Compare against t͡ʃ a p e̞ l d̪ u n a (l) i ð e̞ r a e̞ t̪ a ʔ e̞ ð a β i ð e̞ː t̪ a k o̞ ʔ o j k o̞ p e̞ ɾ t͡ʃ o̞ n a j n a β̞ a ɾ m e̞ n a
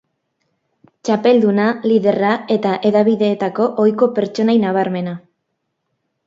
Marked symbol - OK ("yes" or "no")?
yes